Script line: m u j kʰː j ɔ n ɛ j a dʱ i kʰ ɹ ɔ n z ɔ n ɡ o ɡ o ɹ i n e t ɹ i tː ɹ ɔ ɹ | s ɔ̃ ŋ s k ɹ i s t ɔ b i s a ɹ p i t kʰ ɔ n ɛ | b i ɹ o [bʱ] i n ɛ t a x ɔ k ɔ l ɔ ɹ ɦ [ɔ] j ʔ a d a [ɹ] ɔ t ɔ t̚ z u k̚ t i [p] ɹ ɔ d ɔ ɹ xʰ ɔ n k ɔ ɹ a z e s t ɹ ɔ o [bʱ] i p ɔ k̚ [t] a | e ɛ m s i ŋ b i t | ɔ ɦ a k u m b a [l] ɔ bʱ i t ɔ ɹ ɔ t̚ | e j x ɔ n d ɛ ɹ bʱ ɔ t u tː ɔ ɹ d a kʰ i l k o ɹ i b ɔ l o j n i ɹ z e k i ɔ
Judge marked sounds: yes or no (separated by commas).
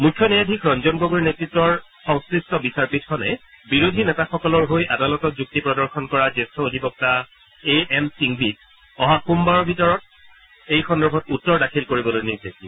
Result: no, no, no, yes, no, yes, no